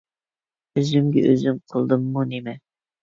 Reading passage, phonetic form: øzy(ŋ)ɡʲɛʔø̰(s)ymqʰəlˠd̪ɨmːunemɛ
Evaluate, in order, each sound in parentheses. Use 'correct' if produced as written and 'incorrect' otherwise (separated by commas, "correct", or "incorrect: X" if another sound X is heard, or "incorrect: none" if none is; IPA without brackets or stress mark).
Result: incorrect: m, incorrect: z